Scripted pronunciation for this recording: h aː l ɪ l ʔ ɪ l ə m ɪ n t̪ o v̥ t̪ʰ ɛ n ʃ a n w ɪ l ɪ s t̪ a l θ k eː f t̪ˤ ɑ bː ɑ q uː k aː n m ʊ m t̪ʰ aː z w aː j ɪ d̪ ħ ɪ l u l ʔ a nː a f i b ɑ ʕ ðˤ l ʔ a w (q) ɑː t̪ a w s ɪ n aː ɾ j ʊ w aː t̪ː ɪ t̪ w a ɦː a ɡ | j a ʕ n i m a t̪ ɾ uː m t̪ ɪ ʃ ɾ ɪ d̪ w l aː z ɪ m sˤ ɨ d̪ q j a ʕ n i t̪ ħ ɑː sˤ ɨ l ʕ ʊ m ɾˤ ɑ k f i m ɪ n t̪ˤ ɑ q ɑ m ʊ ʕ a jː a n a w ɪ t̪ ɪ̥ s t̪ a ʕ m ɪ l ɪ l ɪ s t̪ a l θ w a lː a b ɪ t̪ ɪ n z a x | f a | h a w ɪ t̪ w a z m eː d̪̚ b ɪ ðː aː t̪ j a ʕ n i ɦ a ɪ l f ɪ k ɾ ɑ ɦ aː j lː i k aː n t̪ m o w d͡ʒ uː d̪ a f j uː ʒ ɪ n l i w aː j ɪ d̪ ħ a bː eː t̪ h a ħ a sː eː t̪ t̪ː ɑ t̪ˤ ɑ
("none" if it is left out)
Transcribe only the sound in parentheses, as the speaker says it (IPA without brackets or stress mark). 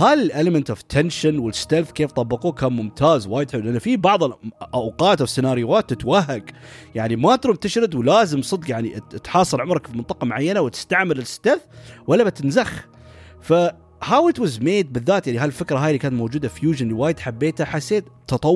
q